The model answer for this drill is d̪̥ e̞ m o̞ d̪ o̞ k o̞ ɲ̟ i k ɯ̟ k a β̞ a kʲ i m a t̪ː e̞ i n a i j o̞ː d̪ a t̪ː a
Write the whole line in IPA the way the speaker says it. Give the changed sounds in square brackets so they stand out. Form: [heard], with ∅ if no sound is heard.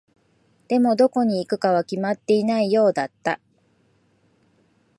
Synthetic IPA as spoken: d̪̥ e̞ m o̞ d̪ o̞ k o̞ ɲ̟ [iː] k ɯ̟ k a β̞ a kʲ i m a t̪ː e̞ i n a i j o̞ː d̪ a t̪ː a